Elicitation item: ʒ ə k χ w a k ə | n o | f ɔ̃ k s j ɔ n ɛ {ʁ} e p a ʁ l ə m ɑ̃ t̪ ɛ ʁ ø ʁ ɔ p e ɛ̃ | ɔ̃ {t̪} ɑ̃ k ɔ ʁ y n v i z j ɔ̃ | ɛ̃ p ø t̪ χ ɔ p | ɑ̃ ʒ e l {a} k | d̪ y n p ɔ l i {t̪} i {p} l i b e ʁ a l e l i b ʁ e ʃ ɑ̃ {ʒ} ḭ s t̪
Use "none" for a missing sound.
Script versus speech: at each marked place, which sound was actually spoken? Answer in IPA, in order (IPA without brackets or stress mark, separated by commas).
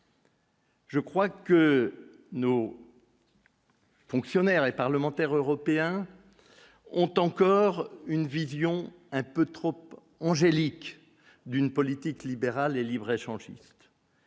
ʁ, t̪, i, t̪, k, ʒ